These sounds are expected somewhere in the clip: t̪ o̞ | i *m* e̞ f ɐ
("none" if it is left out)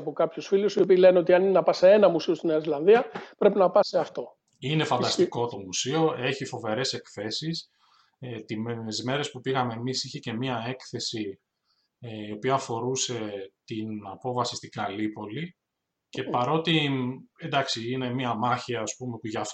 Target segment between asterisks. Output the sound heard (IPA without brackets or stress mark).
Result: n